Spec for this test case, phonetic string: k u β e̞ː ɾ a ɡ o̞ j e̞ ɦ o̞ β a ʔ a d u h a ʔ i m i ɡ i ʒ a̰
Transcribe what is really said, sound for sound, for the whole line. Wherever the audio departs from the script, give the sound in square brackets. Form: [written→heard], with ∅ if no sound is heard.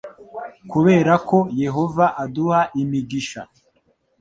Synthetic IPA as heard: k u β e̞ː ɾ a [ɡ→k] o̞ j e̞ ɦ o̞ [β→v] a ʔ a d u h a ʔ i m i ɡ i [ʒ→ʃ] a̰

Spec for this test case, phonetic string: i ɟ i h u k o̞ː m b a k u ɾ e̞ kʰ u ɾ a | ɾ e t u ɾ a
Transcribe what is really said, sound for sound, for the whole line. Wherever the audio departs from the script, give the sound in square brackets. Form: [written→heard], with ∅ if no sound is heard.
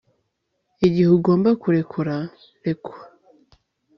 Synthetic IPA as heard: i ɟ i h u [k→ɡ] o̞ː m b a k u ɾ e̞ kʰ u ɾ a | ɾ e [t→k] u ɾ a

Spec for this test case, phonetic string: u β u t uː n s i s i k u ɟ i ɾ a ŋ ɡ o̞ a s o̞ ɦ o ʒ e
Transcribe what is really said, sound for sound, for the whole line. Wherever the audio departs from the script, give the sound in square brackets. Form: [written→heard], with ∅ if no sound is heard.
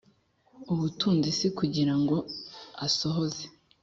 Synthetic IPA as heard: u β u t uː n [s→z] i s i k u ɟ i ɾ a ŋ ɡ o̞ a s o̞ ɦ o [ʒ→z] e

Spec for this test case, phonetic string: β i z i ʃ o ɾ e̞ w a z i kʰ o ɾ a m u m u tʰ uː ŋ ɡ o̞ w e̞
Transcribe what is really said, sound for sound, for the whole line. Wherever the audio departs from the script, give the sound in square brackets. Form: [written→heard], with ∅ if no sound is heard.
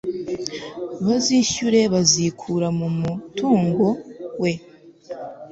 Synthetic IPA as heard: β [i→a] z i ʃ [o→u] ɾ e̞ [w→β] a z i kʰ [o→u] ɾ a m u m u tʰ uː ŋ ɡ o̞ w e̞

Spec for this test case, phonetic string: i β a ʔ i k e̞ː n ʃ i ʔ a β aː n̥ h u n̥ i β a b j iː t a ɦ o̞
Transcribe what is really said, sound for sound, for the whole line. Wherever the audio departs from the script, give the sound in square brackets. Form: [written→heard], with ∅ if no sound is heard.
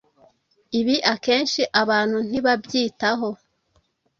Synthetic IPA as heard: i β [a→i] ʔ [i→a] k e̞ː n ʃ i ʔ a β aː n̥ h u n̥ i β a b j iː t a ɦ o̞

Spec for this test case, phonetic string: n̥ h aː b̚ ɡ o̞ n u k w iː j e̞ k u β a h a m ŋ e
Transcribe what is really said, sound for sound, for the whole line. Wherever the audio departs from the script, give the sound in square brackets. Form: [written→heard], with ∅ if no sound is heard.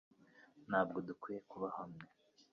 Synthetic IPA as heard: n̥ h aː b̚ ɡ o̞ [n→d] u k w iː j e̞ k u β a h a m ŋ e

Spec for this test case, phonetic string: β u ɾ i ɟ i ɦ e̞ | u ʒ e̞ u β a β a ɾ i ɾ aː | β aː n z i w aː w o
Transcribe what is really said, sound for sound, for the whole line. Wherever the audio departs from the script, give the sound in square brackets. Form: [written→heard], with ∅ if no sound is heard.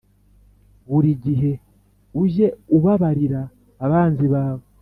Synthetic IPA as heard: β u ɾ i ɟ i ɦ e̞ | u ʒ e̞ u β a β a ɾ i ɾ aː | β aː n z i [w→β] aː [w→β] o

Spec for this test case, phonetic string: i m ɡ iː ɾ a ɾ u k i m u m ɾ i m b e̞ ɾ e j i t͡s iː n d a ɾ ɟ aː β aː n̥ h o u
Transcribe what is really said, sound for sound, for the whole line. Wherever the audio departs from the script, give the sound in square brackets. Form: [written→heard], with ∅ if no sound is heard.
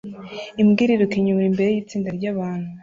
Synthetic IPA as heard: i m ɡ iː ɾ [a→i] ɾ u k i [m→ɲ] u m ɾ i m b e̞ ɾ e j i t͡s iː n d a ɾ ɟ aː β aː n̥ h [o→u] u

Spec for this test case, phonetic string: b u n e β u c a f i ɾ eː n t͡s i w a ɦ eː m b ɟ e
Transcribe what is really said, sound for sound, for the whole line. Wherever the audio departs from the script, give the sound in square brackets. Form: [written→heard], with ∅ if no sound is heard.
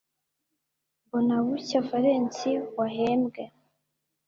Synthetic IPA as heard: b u n [e→a] β u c a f [i→a] ɾ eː n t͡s i w a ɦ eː m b [ɟ→ɡ] e

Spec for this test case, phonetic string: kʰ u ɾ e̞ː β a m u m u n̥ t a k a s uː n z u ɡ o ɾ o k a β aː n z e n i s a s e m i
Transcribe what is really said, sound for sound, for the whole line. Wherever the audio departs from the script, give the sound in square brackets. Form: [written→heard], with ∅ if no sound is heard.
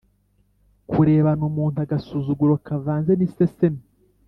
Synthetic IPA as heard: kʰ u ɾ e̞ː β a [m→n] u m [u→uː] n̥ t a [k→ɡ] a s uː [n→∅] z u ɡ [o→u] ɾ o k a [β→v] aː n z e n i s [a→e] s e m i

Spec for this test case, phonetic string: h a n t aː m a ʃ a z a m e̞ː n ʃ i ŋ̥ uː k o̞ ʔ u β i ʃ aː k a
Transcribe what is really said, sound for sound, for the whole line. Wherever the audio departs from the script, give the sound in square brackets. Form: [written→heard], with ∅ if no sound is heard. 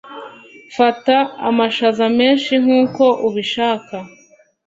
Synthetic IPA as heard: [h→f] a [n→∅] t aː m a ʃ a z a m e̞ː n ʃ i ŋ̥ uː k o̞ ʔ u β i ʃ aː k a

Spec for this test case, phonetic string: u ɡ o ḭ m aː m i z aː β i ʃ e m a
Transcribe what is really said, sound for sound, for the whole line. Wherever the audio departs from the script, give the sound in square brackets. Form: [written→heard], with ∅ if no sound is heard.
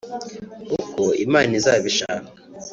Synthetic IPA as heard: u [ɡ→k] o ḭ m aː [m→n] i z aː β i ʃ [e→a] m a

